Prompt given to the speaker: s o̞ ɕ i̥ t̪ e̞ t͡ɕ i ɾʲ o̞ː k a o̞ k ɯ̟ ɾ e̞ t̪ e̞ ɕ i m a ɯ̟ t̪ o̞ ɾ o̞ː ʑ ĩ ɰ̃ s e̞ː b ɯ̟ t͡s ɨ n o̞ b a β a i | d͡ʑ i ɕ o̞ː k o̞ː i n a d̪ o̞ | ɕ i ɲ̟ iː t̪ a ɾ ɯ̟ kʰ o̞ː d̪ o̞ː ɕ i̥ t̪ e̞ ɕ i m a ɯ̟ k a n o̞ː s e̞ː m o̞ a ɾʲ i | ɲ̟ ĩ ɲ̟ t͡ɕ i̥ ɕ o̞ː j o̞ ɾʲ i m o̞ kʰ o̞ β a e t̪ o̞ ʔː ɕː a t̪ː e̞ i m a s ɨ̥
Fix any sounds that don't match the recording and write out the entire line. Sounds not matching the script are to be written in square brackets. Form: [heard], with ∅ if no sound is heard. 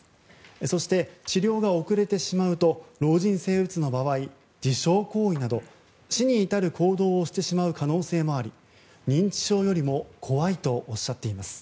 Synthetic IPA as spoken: s o̞ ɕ i̥ t̪ e̞ t͡ɕ i ɾʲ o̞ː [ɡ] a o̞ k ɯ̟ ɾ e̞ t̪ e̞ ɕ i m a ɯ̟ t̪ o̞ ɾ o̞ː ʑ ĩ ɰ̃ s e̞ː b ɯ̟ t͡s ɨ n o̞ b a β a i | d͡ʑ i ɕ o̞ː k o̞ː i n a d̪ o̞ | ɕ i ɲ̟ iː t̪ a ɾ ɯ̟ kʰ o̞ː d̪ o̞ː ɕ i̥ t̪ e̞ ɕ i m a ɯ̟ k a n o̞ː s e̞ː m o̞ a ɾʲ i | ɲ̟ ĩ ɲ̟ t͡ɕ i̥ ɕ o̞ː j o̞ ɾʲ i m o̞ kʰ o̞ β a [i] t̪ o̞ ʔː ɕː a t̪ː e̞ i m a s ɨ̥

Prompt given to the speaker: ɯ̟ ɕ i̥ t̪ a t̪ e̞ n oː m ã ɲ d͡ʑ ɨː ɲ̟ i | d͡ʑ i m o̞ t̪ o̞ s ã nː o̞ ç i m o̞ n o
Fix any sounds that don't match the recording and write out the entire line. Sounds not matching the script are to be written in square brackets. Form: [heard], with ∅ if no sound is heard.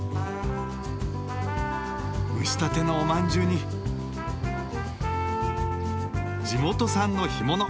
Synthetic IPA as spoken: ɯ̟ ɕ i̥ t̪ a t̪ e̞ n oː m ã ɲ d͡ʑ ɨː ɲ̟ i | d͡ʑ i m o̞ t̪ o̞ s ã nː o̞ ç i m o̞ n o

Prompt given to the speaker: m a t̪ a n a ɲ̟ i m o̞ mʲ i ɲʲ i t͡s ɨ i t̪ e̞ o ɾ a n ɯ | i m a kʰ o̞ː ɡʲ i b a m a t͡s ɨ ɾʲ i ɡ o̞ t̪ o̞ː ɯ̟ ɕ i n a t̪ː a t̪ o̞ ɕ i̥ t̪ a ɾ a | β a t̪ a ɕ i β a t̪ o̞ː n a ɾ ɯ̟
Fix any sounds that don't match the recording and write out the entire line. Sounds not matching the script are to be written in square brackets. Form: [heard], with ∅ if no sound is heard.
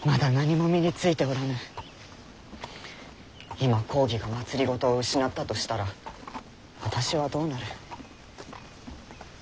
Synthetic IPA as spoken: m a [d̪] a n a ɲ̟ i m o̞ mʲ i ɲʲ i t͡s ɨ i t̪ e̞ o ɾ a n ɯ | i m a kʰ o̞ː ɡʲ i [ɡ] a m a t͡s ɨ ɾʲ i ɡ o̞ t̪ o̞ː ɯ̟ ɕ i n a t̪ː a t̪ o̞ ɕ i̥ t̪ a ɾ a | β a t̪ a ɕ i β a [d̪] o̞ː n a ɾ ɯ̟

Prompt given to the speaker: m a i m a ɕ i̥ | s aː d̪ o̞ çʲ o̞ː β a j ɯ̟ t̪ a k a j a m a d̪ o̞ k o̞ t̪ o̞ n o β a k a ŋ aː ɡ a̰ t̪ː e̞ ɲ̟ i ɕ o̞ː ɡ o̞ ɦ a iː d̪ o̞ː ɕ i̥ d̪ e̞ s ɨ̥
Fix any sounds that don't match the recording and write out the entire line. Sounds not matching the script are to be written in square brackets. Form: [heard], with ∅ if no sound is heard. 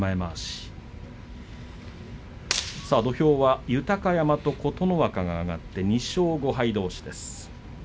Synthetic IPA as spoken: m a [e] m a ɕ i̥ | s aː d̪ o̞ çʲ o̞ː β a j ɯ̟ t̪ a k a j a m a [t̪] o̞ k o̞ t̪ o̞ n o β a k a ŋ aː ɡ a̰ t̪ː e̞ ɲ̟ i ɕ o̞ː ɡ o̞ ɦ a [i] d̪ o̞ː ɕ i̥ d̪ e̞ s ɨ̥

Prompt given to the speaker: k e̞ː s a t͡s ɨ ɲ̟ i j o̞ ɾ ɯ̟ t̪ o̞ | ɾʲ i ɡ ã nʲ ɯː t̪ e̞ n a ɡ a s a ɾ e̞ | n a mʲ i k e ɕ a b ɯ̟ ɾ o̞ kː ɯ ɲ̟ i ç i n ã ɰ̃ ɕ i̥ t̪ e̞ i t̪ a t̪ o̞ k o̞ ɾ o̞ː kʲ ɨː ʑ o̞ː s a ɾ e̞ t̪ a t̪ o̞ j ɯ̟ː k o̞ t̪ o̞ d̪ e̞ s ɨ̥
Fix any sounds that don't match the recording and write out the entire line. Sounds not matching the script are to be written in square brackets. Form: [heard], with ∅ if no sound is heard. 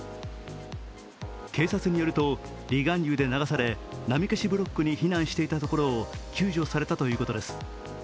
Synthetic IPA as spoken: k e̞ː s a t͡s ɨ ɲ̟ i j o̞ ɾ ɯ̟ t̪ o̞ | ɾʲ i ɡ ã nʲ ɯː [d̪] e̞ n a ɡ a s a ɾ e̞ | n a mʲ i k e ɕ [i] b ɯ̟ ɾ o̞ kː ɯ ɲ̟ i ç i n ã ɰ̃ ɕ i̥ t̪ e̞ i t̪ a t̪ o̞ k o̞ ɾ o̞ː kʲ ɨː ʑ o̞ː s a ɾ e̞ t̪ a t̪ o̞ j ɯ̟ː k o̞ t̪ o̞ d̪ e̞ s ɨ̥

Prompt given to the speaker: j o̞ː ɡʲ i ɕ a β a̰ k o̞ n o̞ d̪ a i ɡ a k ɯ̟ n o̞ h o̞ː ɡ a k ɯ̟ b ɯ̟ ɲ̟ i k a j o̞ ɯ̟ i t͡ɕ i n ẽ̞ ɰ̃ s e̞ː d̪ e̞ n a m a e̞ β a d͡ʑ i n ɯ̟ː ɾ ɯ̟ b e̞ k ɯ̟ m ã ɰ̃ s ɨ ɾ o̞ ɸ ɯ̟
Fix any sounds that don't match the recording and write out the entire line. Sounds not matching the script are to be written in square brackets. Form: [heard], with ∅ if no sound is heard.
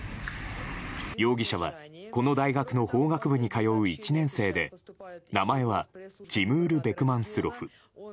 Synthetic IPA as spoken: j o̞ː ɡʲ i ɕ a β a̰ k o̞ n o̞ d̪ a i ɡ a k ɯ̟ n o̞ h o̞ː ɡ a k ɯ̟ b ɯ̟ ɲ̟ i k a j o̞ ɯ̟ i t͡ɕ i n ẽ̞ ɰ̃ s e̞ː d̪ e̞ n a m a e̞ β a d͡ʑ i [m] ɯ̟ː ɾ ɯ̟ b e̞ k ɯ̟ m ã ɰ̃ s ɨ ɾ o̞ ɸ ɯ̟

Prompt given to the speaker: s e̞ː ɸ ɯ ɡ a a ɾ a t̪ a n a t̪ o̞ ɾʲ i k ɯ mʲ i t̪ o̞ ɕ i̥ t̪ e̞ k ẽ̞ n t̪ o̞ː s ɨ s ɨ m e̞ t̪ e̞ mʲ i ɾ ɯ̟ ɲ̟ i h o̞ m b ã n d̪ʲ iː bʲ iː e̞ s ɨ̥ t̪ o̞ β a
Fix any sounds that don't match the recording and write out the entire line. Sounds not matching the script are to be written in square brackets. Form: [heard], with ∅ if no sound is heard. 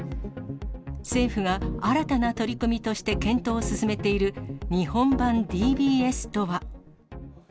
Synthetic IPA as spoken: s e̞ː ɸ ɯ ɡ a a ɾ a t̪ a n a t̪ o̞ ɾʲ i k ɯ mʲ i t̪ o̞ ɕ i̥ t̪ e̞ k ẽ̞ n t̪ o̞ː s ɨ s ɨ m e̞ t̪ e̞ [∅] i ɾ ɯ̟ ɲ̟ i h [õ̞] m b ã n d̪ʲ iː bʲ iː e̞ s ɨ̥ t̪ o̞ β a

